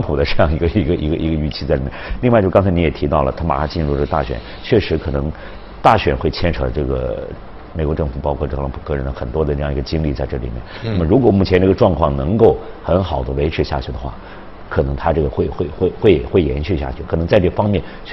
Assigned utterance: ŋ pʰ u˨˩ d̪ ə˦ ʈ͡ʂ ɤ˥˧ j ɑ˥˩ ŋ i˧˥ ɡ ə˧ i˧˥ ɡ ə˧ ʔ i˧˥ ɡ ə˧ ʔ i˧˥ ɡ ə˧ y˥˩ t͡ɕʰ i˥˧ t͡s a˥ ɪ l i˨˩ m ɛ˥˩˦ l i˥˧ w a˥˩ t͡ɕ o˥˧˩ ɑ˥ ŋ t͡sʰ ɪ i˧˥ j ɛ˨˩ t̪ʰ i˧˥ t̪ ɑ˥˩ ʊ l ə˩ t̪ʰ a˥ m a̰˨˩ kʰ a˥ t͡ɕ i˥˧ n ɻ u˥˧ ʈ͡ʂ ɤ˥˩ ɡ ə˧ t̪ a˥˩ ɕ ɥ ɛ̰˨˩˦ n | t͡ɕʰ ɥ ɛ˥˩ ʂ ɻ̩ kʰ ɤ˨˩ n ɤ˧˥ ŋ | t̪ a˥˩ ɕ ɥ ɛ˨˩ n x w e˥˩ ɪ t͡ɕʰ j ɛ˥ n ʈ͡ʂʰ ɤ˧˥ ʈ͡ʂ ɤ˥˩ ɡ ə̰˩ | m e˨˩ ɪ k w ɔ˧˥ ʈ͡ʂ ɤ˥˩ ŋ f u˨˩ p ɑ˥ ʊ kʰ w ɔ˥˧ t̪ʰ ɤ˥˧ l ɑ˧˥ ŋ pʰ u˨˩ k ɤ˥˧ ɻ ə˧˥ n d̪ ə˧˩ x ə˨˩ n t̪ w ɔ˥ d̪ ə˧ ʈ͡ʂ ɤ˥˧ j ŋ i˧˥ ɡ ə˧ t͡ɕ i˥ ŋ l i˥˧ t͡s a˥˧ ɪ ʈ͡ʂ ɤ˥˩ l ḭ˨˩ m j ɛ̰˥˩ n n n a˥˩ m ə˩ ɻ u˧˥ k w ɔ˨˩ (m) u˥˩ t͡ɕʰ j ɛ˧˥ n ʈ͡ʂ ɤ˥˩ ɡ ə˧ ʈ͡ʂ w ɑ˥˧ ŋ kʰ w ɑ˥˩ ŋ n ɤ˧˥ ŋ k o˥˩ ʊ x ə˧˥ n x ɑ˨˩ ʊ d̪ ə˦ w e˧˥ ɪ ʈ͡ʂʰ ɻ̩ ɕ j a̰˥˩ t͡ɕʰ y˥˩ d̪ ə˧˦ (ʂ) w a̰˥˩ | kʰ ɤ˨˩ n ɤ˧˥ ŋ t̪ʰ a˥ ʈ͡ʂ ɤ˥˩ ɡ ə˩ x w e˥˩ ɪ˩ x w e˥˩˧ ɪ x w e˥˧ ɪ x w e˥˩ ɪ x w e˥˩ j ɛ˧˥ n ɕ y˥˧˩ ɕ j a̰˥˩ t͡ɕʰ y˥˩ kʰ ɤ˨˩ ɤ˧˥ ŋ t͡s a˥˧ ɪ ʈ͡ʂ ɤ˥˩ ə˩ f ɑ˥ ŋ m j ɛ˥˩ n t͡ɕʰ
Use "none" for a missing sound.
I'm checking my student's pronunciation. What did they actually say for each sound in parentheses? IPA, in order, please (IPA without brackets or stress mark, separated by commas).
m, x